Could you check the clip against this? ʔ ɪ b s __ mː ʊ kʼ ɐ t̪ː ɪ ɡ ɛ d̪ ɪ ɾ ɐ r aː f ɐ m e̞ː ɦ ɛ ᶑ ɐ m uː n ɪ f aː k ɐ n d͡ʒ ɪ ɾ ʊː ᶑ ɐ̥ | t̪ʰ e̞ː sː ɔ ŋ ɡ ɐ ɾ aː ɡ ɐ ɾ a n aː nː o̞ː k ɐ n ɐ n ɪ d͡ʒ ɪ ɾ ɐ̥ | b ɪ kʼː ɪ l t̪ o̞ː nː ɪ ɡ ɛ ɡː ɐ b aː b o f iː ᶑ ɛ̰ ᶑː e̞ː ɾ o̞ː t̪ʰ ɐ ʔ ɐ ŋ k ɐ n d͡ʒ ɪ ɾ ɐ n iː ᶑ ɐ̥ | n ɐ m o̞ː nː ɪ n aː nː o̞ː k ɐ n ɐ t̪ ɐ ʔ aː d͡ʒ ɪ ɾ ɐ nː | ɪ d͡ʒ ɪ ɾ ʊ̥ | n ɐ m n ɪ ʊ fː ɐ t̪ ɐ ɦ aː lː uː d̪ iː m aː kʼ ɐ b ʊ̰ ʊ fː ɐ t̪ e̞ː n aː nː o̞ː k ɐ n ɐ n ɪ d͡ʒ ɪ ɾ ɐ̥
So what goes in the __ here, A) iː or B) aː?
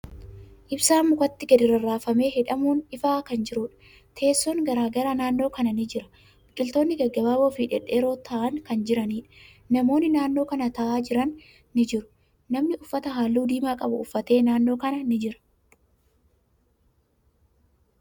B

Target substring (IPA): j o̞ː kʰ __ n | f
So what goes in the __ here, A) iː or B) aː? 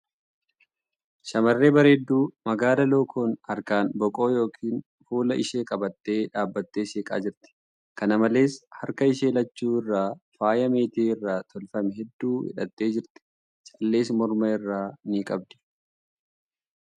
A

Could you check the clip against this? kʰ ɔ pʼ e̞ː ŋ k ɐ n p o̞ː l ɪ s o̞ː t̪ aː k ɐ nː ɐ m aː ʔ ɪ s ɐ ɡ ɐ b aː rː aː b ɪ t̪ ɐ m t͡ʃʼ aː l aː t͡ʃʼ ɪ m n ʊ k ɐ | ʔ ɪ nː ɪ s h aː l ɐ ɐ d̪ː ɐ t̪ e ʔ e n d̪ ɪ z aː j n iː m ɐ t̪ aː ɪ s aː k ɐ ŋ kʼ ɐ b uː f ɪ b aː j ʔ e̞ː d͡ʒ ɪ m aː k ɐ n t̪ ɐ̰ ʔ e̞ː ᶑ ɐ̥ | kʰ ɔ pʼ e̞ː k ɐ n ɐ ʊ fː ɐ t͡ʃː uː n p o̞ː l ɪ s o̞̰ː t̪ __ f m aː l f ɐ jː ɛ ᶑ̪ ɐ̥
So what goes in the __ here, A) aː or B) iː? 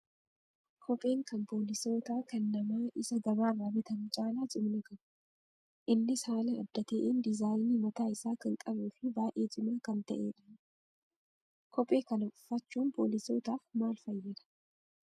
A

